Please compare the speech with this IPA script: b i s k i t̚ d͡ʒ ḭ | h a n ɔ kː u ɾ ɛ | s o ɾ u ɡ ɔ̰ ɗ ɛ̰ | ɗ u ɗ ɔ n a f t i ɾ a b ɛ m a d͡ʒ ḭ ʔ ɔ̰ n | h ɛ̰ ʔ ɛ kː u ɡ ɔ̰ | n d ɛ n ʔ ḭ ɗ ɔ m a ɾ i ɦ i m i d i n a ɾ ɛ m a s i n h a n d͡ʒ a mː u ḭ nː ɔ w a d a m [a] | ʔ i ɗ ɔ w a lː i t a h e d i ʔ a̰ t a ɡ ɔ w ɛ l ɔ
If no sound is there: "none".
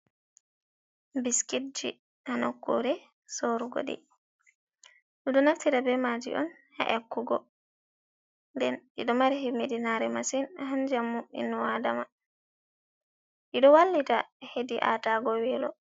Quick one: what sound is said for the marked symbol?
a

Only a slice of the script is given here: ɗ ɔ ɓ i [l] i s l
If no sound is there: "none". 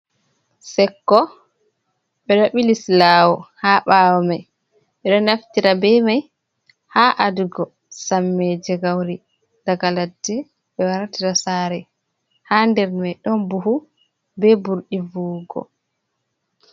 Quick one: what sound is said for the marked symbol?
l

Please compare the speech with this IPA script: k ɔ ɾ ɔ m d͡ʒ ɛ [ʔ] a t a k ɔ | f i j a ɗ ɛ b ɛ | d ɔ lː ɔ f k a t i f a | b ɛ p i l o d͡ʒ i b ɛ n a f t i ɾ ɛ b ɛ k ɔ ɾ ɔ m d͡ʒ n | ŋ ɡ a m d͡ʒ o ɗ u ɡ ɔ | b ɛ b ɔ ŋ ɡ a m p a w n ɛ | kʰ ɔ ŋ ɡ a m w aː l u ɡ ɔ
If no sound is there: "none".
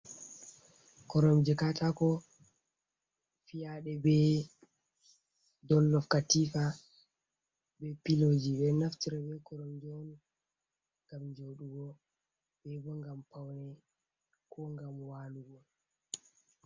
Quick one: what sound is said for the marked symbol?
k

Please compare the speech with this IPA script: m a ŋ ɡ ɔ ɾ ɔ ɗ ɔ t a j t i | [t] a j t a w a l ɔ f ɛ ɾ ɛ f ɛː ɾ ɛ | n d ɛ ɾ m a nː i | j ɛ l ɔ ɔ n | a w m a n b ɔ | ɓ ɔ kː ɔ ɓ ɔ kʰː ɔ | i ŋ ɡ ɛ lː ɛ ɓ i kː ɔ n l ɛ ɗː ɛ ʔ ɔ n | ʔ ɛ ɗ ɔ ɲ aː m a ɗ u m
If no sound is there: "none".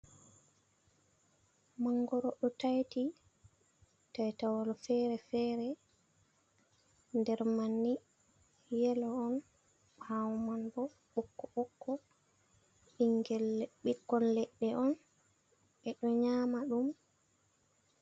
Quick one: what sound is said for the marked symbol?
t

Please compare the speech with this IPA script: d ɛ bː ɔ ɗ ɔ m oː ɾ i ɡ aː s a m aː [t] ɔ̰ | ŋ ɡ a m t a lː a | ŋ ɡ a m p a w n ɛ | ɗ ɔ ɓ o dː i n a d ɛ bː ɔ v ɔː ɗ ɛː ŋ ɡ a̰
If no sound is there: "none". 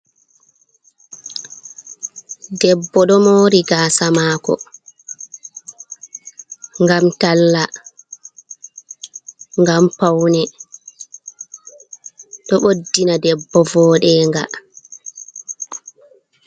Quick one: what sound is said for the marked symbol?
k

